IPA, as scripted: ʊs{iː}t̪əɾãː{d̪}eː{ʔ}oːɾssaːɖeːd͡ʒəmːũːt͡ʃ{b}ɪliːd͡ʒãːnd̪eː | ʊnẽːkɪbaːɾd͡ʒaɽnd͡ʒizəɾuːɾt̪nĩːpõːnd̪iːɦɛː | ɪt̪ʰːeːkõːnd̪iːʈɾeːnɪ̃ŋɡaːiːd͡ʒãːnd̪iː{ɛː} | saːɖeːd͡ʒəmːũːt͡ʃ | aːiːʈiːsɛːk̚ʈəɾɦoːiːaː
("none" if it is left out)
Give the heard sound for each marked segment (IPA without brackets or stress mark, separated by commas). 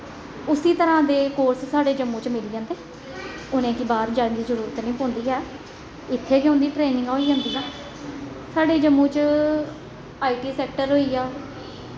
iː, d̪, k, m, aː